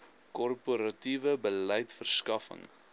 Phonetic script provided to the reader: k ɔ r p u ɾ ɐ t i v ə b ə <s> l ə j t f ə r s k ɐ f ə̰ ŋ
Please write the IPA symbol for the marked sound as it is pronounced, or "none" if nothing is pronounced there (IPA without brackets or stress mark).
none